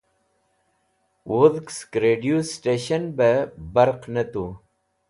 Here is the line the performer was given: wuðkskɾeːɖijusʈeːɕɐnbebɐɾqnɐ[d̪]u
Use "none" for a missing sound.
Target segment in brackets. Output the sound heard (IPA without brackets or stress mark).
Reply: t̪